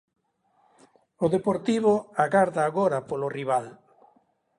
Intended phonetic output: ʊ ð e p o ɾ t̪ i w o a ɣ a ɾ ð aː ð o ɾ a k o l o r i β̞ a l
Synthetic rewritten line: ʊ ð e p o ɾ t̪ i β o a ɣ a ɾ ð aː ɣ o ɾ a p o l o r i β̞ a l